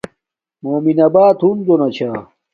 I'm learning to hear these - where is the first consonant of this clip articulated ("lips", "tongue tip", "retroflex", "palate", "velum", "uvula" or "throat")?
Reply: lips